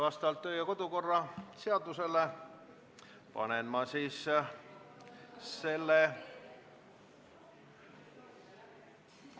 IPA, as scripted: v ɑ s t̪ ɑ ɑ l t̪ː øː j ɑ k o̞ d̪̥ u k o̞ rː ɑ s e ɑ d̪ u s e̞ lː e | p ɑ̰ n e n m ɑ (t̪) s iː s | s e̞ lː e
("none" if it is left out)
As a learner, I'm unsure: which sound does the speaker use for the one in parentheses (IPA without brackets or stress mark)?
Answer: none